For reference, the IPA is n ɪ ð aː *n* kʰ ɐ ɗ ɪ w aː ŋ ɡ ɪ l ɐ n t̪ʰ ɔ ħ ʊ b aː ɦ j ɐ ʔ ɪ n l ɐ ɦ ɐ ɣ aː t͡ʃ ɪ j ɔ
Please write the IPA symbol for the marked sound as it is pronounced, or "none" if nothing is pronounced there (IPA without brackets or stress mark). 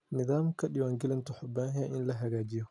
m